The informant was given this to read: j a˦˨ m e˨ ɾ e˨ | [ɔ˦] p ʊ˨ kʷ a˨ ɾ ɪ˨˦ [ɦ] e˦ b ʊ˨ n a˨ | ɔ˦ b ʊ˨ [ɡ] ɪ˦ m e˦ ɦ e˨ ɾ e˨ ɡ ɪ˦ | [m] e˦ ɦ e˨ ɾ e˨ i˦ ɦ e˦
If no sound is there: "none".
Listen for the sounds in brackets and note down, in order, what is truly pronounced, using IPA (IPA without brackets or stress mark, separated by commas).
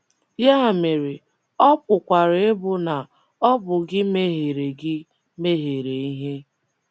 ɔ˦, none, ɡ, m